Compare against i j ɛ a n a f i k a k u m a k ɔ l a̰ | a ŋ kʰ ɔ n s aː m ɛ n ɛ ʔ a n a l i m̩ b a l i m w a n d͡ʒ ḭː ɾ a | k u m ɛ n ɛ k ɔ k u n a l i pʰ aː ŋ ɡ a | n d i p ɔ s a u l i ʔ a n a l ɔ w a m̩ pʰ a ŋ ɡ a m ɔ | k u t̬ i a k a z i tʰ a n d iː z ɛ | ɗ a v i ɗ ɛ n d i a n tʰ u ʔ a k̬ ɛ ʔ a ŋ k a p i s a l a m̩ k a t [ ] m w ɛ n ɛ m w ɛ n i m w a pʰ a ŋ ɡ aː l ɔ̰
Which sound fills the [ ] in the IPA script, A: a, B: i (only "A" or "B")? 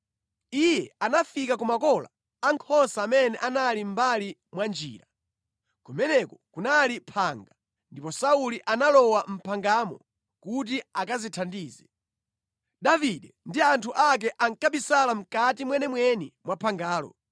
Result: B